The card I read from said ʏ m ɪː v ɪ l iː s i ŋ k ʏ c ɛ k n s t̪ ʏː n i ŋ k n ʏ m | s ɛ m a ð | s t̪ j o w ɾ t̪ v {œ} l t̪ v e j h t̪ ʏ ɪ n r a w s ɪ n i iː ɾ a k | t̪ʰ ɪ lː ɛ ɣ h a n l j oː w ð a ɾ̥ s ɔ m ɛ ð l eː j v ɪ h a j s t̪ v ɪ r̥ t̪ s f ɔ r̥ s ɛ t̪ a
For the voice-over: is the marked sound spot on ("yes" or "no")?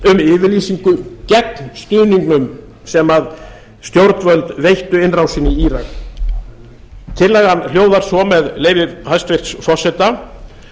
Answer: yes